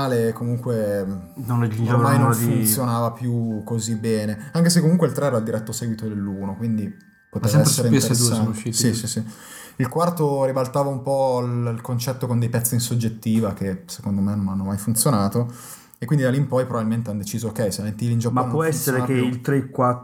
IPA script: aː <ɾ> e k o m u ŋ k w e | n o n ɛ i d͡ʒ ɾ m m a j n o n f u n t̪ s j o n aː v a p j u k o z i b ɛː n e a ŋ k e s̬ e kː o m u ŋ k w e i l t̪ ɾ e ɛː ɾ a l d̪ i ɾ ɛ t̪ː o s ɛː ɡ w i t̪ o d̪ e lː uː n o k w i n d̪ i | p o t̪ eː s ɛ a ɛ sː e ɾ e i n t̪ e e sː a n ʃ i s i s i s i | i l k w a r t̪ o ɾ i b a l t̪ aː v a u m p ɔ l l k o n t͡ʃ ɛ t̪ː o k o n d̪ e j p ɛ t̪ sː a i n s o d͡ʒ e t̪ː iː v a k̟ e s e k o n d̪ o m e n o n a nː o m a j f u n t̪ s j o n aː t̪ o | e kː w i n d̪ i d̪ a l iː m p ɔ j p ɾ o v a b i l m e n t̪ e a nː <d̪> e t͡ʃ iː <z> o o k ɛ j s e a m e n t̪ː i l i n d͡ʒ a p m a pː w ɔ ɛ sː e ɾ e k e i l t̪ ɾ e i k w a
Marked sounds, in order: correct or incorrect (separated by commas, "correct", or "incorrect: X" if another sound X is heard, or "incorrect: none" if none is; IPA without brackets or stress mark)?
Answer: incorrect: l, correct, correct